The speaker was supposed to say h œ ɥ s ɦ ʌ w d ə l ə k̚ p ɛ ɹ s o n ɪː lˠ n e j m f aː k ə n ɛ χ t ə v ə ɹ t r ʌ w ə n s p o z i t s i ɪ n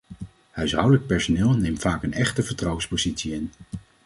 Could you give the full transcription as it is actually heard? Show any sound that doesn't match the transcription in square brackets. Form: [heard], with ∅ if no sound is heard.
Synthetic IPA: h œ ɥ s ɦ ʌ w d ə l ə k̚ p ɛ ɹ s o n ɪː lˠ n e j m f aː k ə n ɛ χ t ə v ə ɹ t r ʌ w ə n s p o z i t s i ɪ n